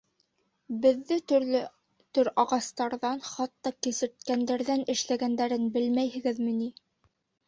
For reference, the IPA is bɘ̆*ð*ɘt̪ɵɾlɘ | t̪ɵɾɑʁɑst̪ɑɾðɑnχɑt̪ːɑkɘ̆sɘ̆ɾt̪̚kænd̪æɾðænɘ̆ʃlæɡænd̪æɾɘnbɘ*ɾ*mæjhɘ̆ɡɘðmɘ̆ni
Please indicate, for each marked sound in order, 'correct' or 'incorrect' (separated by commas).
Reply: incorrect, incorrect